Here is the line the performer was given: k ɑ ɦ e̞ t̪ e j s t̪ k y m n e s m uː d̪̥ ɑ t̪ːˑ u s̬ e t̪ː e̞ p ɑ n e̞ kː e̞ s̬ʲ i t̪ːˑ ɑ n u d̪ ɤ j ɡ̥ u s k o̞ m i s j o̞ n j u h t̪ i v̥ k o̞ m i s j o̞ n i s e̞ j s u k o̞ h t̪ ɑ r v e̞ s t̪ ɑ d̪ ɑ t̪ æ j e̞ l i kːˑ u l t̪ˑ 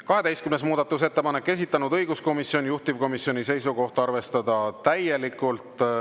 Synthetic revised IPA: k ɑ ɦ e̞ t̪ e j s t̪ k y m n e s m uː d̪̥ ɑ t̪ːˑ u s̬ e t̪ː e̞ p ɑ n e̞ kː e̞ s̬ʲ i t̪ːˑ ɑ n u d̪ ɤ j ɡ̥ u s k o̞ m i s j o̞ n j u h t̪ i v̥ k o̞ m i s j o̞ n i s e̞ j s u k o̞ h t̪ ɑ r v e̞ s t̪ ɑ d̪ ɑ t̪ æ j e̞ l i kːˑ u l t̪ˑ